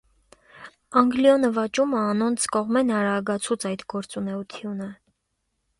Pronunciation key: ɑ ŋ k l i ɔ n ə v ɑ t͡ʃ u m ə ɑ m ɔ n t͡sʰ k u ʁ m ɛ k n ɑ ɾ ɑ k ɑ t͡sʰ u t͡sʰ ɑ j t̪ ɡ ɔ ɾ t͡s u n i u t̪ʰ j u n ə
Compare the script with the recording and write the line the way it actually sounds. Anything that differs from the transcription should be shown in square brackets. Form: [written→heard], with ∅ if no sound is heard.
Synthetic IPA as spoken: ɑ ŋ [k→ɡ] l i ɔ n ə v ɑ t͡ʃ u m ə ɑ [m→n] ɔ n t͡sʰ k [u→ɔ] ʁ m ɛ [k→∅] n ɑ ɾ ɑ [k→ɡ] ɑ t͡sʰ u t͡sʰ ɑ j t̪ ɡ ɔ ɾ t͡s u n [i→ɛ] u t̪ʰ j u n ə